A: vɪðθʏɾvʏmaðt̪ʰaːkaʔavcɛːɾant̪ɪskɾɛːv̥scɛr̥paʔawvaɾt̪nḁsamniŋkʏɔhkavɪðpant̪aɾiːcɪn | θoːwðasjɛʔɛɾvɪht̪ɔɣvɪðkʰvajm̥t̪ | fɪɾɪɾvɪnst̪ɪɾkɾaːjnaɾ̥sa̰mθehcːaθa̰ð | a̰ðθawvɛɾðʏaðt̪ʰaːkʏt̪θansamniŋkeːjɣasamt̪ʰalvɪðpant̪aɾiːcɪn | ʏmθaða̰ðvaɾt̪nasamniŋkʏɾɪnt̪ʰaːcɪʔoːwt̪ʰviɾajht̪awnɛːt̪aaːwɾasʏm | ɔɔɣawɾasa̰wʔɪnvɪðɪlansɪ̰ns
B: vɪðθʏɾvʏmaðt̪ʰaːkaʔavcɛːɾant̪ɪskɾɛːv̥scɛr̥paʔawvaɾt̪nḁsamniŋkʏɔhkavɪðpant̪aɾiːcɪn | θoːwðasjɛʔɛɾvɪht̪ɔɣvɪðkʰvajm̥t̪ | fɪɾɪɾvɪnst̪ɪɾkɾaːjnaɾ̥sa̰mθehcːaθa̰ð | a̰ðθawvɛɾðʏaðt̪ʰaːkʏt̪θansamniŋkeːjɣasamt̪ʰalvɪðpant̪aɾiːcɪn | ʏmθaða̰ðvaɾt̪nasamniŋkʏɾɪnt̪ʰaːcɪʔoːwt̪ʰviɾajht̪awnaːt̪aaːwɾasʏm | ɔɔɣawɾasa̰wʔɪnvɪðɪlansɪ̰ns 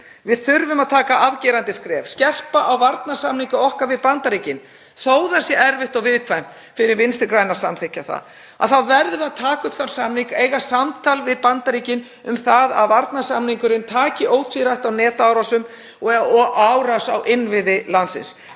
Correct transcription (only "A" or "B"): A